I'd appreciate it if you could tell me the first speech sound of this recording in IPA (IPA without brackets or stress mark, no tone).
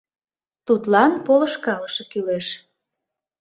t̪